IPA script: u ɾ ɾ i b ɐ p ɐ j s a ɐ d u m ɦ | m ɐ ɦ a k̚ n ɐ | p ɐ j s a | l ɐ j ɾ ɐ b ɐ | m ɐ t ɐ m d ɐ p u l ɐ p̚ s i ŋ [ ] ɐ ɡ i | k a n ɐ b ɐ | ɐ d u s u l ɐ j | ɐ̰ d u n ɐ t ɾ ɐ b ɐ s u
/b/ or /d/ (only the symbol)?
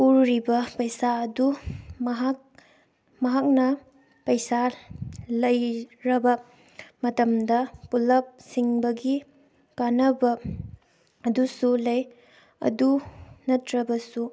b